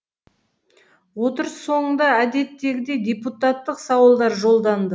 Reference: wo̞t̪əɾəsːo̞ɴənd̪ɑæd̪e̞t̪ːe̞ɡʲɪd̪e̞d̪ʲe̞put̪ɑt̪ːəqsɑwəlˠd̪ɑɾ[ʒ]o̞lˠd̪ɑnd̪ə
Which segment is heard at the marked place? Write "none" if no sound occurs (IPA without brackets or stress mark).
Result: ʒ